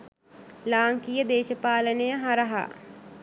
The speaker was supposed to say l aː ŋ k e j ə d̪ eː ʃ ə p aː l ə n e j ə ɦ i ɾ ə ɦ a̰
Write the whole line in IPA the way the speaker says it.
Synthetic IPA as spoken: l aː ŋ k i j ə d̪ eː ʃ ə p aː l ə n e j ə ɦ a ɾ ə ɦ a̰